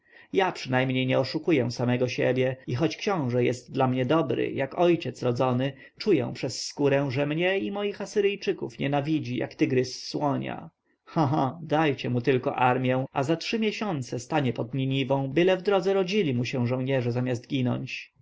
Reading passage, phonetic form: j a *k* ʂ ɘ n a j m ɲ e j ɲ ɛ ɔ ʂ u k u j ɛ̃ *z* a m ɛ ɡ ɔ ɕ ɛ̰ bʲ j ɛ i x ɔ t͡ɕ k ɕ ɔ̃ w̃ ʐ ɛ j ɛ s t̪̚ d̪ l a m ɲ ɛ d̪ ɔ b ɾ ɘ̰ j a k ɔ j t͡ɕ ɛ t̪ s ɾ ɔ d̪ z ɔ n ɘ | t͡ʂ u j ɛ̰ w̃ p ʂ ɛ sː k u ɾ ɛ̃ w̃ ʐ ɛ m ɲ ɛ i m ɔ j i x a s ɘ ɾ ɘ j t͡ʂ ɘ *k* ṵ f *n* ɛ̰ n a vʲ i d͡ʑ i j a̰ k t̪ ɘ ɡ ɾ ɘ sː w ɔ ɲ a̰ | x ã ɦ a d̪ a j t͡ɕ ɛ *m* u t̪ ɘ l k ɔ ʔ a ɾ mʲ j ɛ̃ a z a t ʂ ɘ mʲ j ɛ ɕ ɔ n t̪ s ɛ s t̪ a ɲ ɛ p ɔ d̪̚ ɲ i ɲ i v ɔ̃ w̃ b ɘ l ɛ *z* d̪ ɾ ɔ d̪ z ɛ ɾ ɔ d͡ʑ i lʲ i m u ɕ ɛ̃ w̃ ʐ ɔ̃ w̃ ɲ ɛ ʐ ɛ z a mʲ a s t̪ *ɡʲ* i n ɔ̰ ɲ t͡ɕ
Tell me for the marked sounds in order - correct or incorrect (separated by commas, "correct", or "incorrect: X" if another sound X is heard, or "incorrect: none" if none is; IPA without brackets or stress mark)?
incorrect: p, incorrect: s, correct, incorrect: ɲ, correct, incorrect: v, correct